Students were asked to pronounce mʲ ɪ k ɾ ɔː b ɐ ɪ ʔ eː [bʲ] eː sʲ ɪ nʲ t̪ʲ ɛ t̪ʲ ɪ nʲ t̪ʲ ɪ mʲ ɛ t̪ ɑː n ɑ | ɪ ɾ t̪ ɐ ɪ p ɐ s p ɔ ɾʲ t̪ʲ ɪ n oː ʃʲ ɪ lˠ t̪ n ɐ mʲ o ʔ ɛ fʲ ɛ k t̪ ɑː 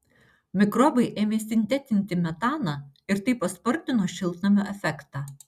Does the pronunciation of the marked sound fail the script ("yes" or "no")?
yes